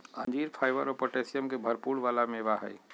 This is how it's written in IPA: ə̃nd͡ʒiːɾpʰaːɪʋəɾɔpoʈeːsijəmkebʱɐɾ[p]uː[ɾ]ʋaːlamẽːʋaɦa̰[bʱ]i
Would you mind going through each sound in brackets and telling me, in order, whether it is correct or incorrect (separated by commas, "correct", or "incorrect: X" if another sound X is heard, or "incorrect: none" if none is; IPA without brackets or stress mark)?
correct, incorrect: ɽ, incorrect: none